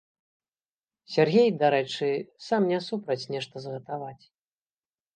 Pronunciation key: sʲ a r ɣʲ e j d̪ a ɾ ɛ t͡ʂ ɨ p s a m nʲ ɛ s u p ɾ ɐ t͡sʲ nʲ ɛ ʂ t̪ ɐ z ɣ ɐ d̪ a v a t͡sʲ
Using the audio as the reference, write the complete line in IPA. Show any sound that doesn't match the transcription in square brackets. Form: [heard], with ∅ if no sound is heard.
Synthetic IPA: sʲ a r ɣʲ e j d̪ a ɾ ɛ t͡ʂ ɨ [∅] s a m nʲ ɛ s u p ɾ ɐ t͡sʲ nʲ ɛ ʂ t̪ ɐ z ɣ ɐ [t̪] a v a t͡sʲ